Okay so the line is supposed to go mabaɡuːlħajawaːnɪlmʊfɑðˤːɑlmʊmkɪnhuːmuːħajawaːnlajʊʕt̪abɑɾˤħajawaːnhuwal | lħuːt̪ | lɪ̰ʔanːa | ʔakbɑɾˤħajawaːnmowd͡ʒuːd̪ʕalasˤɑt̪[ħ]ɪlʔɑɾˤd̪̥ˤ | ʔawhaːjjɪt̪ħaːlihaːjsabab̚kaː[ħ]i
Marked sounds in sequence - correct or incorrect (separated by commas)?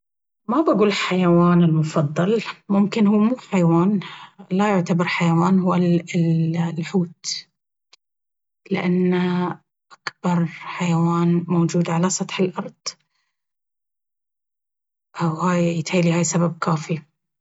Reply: correct, incorrect